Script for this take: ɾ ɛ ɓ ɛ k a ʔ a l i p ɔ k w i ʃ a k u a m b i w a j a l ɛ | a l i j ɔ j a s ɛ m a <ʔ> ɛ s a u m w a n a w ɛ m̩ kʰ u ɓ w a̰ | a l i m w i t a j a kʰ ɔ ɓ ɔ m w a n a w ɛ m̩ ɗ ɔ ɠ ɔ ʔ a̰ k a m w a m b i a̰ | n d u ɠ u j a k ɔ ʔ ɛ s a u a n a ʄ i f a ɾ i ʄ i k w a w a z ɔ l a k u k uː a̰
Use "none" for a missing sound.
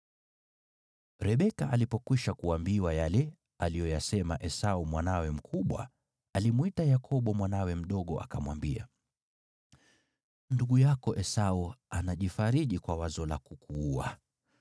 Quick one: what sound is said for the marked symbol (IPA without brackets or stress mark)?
ʔ